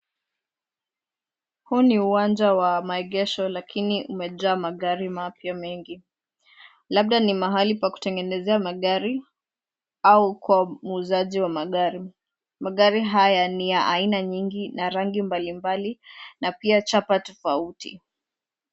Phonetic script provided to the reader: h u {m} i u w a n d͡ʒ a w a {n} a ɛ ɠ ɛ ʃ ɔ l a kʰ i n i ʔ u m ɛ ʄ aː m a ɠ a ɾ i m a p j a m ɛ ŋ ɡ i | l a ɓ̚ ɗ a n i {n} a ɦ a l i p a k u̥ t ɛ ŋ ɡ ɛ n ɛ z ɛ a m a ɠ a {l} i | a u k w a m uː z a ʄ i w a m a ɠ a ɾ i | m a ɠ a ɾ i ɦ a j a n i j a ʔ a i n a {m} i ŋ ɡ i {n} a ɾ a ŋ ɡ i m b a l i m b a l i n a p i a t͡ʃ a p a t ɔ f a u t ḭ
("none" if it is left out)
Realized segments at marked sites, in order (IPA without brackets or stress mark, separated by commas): n, m, m, ɾ, ɲ, n